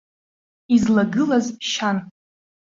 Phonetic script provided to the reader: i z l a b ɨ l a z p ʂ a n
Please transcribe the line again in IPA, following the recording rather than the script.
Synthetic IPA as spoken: i z l a ɡ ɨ l a z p ʃ a n

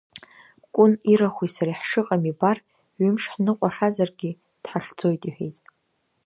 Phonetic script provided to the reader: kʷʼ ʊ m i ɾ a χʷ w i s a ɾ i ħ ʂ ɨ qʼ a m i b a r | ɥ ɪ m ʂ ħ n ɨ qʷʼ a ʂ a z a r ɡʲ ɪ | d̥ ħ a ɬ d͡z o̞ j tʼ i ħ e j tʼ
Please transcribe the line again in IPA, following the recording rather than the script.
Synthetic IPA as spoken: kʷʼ ʊ n i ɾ a χʷ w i s a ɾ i ħ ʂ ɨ qʼ a m i b a r | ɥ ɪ m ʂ ħ n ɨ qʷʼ a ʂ a z a r ɡʲ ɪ | d̥ ħ a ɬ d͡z o̞ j tʼ i ħ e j tʼ

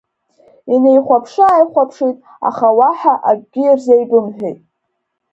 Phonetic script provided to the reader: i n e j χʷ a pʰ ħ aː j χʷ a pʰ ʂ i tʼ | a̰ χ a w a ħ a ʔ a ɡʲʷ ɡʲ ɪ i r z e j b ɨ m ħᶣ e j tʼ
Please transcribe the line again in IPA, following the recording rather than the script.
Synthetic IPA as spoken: i n e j χʷ a pʰ ʂ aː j χʷ a pʰ ʂ i tʼ | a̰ χ a w a ħ a ʔ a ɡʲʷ ɡʲ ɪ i r z e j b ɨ m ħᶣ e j tʼ

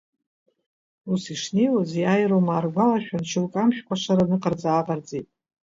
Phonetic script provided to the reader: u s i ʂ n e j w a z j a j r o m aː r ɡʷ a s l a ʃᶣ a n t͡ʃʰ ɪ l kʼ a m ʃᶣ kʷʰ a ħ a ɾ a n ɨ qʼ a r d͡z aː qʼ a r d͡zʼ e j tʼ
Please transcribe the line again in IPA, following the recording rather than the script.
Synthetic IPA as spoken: u s i ʂ n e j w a z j a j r o m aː r ɡʷ a l a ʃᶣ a n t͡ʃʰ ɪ l kʼ a m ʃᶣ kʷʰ a ʂ a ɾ a n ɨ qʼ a r d͡z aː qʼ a r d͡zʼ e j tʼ

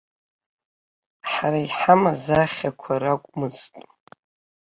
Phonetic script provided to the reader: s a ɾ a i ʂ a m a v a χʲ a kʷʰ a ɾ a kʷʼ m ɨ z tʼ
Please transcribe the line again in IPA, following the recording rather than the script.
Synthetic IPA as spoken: ħ a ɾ a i ħ a m a z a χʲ a kʷʰ a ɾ a kʷʼ m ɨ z tʼ

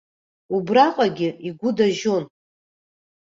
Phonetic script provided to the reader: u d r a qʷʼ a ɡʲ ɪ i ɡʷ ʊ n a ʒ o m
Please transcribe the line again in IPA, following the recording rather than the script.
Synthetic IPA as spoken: u b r a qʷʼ a ɡʲ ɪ i ɡʷ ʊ d a ʒ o n

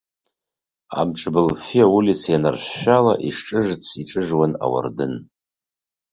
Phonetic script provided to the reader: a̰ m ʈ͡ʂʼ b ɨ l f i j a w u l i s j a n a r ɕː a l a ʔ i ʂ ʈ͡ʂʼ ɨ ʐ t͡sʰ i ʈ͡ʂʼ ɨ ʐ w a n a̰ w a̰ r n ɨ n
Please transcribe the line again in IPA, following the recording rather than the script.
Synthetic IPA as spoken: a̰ m ʈ͡ʂʼ b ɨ l f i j a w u l i s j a n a r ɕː a l a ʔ i ʂ ʈ͡ʂʼ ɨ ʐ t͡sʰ i ʈ͡ʂʼ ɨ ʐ w a n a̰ w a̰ r d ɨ n

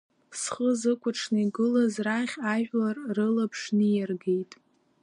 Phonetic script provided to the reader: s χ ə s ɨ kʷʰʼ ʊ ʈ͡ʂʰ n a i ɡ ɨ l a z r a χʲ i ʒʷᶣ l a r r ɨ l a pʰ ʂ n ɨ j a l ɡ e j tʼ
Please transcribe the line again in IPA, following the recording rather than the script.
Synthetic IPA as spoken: s χ ə z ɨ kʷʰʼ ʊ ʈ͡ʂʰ n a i ɡ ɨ l a z r a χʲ a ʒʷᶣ l a r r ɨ l a pʰ ʂ n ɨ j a r ɡ e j tʼ

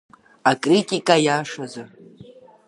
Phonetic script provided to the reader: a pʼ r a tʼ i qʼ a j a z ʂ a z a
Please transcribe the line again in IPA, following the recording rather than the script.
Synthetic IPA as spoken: a kʼ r i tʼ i kʼ a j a ʂ a z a

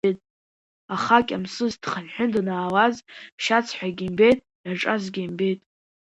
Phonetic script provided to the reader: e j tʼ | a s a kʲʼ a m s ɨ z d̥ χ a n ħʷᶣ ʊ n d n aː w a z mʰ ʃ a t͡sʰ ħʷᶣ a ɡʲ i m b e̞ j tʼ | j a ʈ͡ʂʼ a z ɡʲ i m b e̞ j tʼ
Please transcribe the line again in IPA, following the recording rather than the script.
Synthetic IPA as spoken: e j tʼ | a χ a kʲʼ a m s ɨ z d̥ χ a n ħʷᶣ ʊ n d n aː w a z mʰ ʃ a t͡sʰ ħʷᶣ a ɡʲ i m b e̞ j tʼ | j a ʈ͡ʂʼ a z ɡʲ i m b e̞ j tʼ

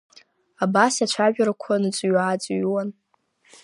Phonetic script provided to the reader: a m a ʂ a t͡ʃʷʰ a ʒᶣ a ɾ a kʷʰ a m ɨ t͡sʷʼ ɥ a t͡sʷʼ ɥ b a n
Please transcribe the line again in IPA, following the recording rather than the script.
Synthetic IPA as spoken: a b a s a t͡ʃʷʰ a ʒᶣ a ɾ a kʷʰ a n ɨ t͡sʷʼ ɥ a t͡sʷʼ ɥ w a n

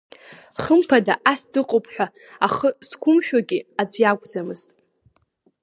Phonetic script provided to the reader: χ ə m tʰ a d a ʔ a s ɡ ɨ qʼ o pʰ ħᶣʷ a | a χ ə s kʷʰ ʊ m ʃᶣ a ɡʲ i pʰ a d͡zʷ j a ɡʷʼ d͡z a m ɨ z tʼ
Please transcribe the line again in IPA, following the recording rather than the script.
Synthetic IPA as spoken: χ ə m pʰ a d a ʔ a s d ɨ qʼ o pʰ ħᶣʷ a | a χ ə s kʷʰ ʊ m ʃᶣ a ɡʲ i a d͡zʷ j a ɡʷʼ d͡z a m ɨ z tʼ

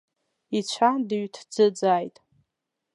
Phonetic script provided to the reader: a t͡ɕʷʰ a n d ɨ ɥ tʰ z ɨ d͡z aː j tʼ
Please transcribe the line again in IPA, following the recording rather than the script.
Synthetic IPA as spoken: i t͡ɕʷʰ a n d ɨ ɥ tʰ d͡z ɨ d͡z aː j tʼ

